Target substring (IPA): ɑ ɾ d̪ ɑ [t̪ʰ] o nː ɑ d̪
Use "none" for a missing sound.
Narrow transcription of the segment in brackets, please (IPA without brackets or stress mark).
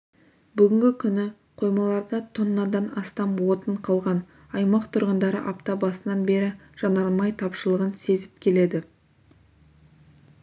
t̪ʰ